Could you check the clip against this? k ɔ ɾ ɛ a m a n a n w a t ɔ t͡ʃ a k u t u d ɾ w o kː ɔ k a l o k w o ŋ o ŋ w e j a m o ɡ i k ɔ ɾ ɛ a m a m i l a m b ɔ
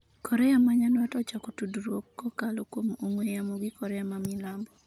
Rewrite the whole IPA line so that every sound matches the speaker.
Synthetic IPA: k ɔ ɾ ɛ a m a ɲ a n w a t ɔ t͡ʃ a k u t u d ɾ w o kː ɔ k a l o k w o m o ŋ w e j a m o ɡ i k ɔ ɾ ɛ a m a m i l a m b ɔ